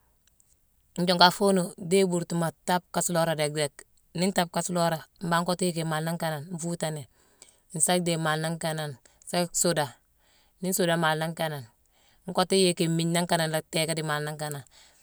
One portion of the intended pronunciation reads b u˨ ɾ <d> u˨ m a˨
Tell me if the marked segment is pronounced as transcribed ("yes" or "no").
no